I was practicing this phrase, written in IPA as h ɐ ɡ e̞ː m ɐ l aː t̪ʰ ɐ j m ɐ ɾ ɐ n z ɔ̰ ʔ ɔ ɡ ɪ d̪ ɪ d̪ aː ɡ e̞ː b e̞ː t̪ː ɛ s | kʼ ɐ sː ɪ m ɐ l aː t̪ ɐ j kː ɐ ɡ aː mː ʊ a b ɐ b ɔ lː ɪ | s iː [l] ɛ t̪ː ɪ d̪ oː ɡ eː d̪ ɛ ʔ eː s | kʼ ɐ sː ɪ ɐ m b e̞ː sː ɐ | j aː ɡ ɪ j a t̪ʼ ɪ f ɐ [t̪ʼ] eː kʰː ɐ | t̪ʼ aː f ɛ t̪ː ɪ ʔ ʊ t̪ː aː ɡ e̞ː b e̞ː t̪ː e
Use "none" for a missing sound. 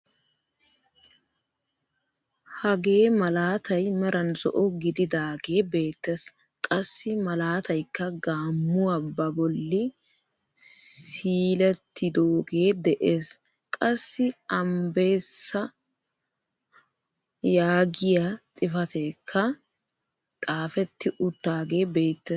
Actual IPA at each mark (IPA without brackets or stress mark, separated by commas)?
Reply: l, t̪